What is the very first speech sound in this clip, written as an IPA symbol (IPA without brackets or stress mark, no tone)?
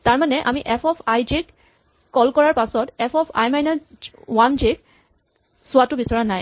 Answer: t